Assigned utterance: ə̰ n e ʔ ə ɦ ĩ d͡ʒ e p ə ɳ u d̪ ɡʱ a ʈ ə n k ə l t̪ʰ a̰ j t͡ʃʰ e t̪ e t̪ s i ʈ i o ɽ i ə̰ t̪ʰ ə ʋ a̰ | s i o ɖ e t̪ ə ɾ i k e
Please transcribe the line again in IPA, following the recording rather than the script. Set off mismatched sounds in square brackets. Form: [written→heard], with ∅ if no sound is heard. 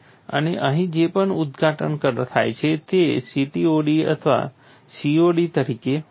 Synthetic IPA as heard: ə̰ n e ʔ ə ɦ ĩ d͡ʒ e p ə ɳ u d̪ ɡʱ a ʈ ə n k ə [l→ɾ] t̪ʰ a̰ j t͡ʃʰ e t̪ e [t̪→∅] s i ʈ i o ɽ i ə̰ t̪ʰ ə ʋ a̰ | s i o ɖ [e→i] t̪ ə ɾ i k e